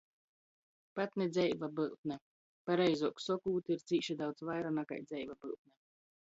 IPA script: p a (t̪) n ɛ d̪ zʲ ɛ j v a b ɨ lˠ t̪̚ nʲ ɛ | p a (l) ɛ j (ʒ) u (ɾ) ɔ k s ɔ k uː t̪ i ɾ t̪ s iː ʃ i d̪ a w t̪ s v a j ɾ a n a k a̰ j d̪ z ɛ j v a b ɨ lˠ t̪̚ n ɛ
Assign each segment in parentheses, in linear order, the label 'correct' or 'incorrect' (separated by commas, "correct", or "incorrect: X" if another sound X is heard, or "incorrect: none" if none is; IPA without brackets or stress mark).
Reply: correct, incorrect: ɾ, incorrect: z, incorrect: none